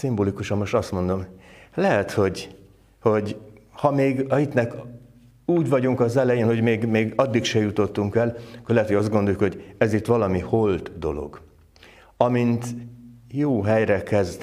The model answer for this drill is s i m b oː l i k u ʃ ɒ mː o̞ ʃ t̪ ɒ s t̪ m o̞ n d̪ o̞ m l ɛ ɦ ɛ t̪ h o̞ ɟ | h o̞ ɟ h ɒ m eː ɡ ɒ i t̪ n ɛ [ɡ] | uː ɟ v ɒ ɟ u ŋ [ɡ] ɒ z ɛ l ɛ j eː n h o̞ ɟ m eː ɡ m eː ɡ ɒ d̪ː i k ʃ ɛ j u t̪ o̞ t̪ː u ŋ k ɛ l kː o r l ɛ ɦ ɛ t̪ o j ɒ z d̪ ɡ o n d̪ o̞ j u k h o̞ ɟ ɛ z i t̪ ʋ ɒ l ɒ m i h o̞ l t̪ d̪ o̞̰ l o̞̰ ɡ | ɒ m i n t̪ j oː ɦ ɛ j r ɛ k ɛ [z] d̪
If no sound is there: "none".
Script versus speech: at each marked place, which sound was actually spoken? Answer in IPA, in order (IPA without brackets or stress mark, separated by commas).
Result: k, k, z